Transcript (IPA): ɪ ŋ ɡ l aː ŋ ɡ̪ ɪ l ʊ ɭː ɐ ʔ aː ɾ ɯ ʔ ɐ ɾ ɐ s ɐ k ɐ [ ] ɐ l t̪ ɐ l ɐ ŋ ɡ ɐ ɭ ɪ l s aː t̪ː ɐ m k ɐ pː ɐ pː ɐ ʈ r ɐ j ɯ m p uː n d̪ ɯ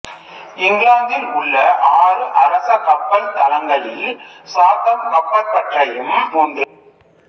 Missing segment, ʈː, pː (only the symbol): pː